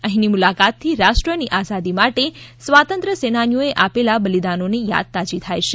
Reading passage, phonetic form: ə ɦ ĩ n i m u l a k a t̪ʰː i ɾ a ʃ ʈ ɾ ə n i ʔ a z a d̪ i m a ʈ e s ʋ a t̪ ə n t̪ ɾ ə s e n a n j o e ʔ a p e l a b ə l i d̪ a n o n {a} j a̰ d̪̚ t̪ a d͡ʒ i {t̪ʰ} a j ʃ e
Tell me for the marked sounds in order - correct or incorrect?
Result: incorrect: e, correct

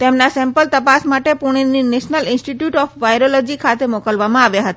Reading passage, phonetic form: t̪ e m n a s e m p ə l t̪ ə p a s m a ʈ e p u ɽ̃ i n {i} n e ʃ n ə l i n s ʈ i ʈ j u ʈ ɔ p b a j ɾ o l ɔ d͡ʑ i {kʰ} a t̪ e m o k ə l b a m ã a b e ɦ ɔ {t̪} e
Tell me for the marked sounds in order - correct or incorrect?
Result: correct, correct, correct

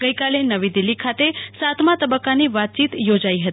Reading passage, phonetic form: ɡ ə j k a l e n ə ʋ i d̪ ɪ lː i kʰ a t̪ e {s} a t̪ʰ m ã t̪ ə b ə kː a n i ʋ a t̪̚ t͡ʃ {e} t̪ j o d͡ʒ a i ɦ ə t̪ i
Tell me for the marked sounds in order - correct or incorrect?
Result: correct, incorrect: i

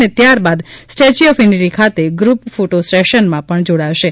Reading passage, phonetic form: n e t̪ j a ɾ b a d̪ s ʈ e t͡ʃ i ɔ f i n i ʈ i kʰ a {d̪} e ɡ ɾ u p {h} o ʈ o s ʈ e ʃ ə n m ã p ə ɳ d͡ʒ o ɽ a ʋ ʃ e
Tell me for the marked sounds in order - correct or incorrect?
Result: incorrect: t̪, incorrect: f

